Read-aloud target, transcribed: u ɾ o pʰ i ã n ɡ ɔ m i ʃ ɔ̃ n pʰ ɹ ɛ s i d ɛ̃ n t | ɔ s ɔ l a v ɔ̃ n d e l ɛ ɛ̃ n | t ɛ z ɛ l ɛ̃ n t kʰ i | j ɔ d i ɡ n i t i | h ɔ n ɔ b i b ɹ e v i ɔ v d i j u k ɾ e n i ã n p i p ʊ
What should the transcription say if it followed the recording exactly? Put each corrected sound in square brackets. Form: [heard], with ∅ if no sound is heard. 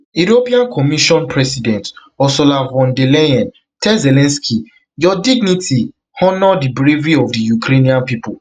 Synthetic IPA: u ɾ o [p] i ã n [k] ɔ m i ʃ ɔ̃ n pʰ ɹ ɛ s i d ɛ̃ n t | ɔ s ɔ l a v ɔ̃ n d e l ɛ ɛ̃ n | t ɛ z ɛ l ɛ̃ n [s] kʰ i | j ɔ d i ɡ n i t i | h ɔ n ɔ [d] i b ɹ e v i ɔ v d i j u k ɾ e n i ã n p i p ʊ